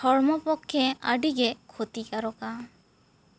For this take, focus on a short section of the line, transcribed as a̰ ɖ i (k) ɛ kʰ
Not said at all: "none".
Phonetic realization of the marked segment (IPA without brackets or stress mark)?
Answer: ɡ